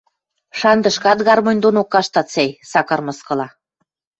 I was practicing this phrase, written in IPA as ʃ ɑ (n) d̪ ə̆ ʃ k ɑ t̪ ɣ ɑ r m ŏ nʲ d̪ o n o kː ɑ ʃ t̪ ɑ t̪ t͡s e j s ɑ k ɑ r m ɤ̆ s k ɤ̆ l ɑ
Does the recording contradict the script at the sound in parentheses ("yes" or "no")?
no